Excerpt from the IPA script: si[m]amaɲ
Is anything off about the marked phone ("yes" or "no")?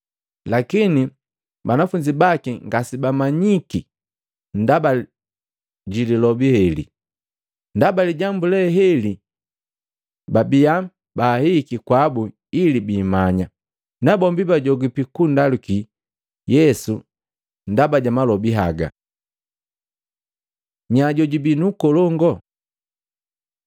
yes